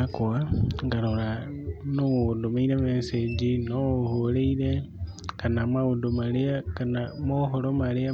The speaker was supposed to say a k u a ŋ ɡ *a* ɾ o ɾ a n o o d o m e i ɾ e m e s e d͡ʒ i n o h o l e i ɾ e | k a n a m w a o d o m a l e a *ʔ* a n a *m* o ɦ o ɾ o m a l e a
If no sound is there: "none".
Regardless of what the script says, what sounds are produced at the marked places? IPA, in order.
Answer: a, k, m

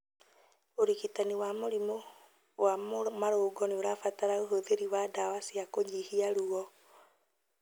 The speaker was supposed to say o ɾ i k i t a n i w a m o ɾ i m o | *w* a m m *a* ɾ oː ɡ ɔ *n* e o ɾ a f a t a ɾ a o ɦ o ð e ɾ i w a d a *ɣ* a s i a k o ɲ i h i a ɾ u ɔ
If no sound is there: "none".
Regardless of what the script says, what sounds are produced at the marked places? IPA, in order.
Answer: w, a, n, w

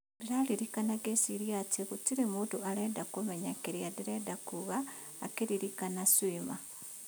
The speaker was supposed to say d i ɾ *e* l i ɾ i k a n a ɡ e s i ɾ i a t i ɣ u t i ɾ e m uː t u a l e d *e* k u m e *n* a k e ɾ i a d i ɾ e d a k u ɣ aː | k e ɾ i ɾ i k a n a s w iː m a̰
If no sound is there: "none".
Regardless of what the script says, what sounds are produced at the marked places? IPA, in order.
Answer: a, a, ɲ

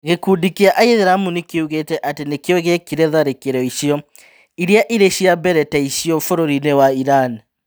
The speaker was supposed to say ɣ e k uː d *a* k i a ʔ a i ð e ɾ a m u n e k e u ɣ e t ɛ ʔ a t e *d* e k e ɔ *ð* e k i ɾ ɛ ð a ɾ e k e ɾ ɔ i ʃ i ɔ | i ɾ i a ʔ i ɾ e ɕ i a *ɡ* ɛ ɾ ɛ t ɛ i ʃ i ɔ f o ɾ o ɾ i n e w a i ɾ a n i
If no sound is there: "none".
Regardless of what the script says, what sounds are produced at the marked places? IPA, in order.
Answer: i, n, ɣ, b

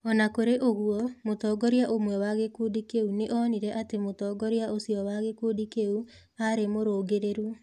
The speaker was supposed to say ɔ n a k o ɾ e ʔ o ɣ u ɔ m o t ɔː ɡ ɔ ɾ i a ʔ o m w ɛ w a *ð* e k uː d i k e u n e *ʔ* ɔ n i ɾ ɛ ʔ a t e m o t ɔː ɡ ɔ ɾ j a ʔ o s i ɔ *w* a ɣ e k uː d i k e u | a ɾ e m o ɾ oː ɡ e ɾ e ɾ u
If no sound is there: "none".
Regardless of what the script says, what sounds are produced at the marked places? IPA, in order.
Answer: ɣ, ʔ, w

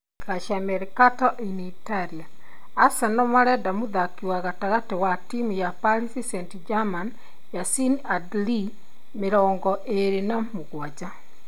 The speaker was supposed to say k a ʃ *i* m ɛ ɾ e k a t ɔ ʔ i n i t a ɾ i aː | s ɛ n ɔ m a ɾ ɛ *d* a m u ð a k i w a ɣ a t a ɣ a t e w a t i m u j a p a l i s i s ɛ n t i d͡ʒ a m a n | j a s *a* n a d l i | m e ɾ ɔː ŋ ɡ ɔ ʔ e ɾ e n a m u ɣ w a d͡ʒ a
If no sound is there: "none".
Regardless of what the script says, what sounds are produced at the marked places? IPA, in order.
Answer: a, d, i

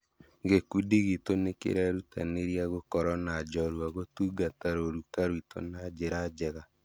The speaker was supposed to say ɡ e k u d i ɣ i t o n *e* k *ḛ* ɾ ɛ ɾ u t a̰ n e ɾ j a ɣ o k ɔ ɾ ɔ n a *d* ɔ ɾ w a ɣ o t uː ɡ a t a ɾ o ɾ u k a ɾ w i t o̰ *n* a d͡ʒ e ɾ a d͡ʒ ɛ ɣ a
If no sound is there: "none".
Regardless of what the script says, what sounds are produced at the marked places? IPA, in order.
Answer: e, ḛ, d͡ʒ, n

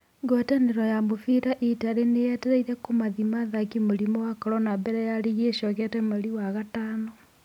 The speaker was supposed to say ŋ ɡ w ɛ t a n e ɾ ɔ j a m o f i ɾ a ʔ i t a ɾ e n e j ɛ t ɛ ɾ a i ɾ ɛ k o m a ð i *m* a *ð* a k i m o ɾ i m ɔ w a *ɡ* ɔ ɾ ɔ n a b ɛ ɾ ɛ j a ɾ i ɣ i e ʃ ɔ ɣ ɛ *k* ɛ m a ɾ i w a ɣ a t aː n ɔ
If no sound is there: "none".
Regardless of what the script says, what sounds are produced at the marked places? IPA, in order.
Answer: m, ð, k, t

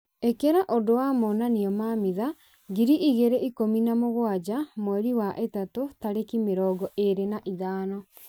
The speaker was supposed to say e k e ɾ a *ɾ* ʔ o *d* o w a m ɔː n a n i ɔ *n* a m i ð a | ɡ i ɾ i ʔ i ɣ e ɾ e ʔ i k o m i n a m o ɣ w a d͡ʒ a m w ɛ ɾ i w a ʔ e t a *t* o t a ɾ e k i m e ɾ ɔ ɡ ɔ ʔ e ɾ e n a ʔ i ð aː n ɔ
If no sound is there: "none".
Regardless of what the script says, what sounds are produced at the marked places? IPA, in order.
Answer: none, d, m, t

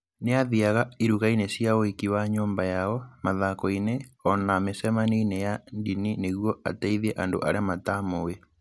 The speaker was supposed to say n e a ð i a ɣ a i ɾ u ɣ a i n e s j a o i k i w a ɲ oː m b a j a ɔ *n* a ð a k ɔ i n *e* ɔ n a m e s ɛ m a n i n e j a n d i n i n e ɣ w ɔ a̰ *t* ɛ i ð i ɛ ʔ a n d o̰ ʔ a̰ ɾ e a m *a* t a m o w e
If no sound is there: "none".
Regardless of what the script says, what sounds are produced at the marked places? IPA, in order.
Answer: m, e, t, a

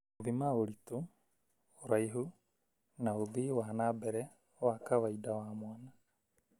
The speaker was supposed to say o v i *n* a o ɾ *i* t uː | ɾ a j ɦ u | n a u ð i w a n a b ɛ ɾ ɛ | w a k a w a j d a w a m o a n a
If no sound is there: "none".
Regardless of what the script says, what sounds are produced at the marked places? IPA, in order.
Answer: m, i

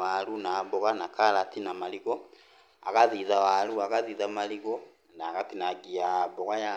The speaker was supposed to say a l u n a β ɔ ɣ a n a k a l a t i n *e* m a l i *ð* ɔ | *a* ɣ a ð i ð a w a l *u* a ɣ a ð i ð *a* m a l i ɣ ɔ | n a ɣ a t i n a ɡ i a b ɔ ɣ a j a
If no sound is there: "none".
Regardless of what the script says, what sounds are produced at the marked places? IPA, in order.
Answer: a, ɣ, a, u, a

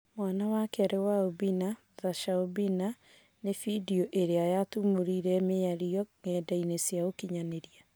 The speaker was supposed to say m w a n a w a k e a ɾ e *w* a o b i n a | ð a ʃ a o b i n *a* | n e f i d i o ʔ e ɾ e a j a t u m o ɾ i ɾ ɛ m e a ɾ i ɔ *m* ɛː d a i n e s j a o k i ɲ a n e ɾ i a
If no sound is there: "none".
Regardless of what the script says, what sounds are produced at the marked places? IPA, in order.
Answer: w, a, ŋ

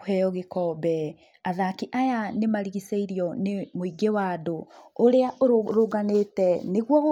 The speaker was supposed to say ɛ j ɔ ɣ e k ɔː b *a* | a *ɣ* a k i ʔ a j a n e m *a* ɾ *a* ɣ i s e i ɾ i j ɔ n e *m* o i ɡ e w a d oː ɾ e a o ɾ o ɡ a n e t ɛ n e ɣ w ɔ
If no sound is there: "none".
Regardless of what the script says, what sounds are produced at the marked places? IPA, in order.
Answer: ɛ, ð, a, i, m

